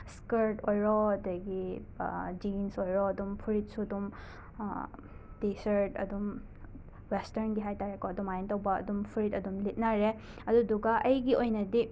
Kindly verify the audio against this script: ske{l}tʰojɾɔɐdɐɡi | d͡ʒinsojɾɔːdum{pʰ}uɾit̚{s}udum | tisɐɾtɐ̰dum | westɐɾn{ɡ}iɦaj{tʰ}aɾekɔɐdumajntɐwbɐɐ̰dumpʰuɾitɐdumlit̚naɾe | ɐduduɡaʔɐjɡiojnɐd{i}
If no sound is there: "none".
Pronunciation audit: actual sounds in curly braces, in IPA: ɾ, pʰ, s, ɡ, t, i

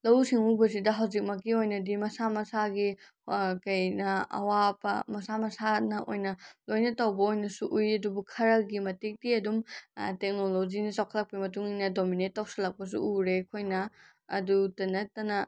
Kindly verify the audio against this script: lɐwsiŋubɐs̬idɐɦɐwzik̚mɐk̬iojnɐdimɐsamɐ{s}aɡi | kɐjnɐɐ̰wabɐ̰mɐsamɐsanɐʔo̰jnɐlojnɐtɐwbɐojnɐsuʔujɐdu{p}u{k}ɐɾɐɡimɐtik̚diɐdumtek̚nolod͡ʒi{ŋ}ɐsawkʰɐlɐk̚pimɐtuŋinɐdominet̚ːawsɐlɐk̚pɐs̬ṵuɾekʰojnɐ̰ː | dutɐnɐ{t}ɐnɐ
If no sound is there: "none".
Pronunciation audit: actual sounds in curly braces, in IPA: s, b, kʰ, n, t

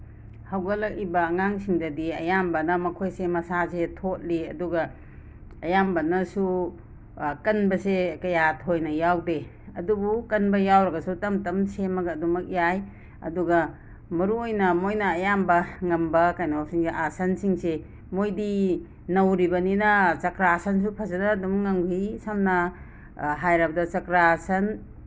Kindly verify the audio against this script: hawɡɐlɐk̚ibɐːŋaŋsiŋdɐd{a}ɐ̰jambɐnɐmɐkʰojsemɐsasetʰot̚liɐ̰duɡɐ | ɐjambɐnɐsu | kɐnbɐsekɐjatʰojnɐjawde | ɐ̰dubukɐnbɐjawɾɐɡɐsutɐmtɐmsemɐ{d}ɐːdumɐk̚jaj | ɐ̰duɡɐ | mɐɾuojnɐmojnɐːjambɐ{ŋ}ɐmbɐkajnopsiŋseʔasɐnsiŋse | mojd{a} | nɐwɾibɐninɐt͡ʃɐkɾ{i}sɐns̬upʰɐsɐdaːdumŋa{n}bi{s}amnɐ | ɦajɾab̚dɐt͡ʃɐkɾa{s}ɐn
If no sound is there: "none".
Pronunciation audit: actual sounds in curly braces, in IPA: i, ɡ, ŋ, i, a, ŋ, s, s

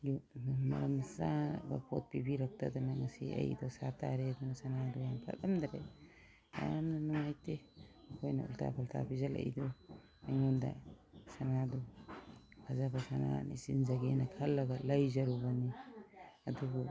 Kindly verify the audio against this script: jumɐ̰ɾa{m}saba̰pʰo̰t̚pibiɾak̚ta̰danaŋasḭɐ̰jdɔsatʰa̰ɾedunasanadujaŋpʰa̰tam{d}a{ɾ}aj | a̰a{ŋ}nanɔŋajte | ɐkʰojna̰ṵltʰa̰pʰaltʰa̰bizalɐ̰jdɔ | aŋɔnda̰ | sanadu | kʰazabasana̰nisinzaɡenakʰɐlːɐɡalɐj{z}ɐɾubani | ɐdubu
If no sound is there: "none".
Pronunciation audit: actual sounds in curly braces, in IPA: m, d, ɾ, m, z

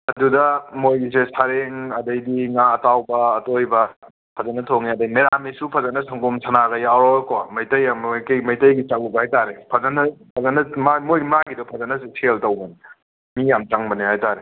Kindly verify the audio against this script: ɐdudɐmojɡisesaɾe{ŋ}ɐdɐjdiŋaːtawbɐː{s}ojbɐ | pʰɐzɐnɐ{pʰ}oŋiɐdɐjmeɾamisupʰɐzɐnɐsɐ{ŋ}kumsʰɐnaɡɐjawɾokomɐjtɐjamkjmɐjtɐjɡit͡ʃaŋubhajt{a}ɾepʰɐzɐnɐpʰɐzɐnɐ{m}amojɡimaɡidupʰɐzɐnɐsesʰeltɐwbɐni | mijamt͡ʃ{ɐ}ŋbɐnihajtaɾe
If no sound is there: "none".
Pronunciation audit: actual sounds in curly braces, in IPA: ŋ, t, tʰ, ŋ, a, m, a

